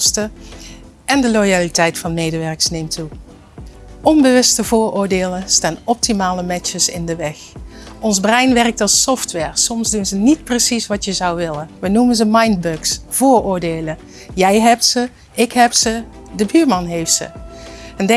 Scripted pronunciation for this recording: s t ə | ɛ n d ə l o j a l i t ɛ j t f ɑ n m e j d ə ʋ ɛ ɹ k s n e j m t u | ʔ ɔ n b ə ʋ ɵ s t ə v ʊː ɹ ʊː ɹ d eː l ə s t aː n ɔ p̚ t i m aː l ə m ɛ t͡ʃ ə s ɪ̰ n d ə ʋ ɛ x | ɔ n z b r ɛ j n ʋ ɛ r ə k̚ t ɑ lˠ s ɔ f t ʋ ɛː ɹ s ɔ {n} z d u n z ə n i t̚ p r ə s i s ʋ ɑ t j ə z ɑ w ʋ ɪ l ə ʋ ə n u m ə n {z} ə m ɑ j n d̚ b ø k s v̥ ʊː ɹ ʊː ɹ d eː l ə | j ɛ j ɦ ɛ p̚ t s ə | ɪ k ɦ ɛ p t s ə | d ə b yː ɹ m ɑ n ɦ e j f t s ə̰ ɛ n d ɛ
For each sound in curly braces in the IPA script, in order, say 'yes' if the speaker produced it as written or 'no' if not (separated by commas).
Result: no, yes